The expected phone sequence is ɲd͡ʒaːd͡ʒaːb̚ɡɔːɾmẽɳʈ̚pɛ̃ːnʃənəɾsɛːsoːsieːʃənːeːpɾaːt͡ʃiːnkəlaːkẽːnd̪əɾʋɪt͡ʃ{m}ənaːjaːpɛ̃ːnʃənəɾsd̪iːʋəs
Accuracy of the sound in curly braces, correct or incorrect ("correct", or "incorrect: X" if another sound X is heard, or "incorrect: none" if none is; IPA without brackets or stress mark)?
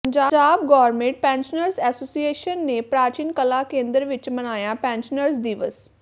correct